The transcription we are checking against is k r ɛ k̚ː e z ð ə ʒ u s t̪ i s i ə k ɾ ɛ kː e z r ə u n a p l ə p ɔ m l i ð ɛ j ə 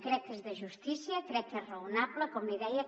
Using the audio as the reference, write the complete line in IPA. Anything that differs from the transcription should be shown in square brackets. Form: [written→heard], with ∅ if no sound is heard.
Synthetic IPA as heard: k [r→ɾ] ɛ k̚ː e z ð ə ʒ u s t̪ i s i ə k ɾ ɛ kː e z r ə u n a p l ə [p→k] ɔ m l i ð ɛ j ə